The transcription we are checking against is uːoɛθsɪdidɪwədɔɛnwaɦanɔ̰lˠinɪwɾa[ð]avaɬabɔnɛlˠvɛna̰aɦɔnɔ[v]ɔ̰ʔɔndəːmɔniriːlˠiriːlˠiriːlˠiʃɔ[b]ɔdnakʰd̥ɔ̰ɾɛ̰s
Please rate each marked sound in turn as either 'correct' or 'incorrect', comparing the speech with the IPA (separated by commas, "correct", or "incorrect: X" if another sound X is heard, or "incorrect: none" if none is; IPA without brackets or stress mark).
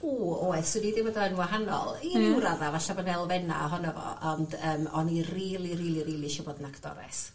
correct, correct, correct